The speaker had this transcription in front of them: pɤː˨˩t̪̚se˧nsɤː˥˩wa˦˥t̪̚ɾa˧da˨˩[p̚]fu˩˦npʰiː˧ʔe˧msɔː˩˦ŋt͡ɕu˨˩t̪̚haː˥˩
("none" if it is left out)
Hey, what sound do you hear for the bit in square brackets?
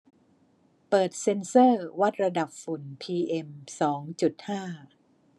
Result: p̚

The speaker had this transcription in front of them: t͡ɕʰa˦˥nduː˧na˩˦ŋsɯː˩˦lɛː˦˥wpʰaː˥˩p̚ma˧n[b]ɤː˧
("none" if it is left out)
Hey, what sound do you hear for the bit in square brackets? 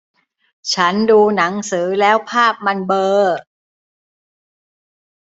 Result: b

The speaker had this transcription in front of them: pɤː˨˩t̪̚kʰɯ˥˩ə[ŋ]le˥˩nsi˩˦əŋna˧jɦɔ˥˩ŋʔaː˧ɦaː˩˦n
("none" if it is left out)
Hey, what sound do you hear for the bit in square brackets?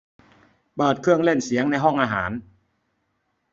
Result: ŋ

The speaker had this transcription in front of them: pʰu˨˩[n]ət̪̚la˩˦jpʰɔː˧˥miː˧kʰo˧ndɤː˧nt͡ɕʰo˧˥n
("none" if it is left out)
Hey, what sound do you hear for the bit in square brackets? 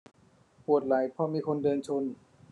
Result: none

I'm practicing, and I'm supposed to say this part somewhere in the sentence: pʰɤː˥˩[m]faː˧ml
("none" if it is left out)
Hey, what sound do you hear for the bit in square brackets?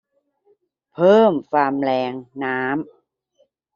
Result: m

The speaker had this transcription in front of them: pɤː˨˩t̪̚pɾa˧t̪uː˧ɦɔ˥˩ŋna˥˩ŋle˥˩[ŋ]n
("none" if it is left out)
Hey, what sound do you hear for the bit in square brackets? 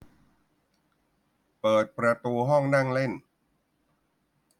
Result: none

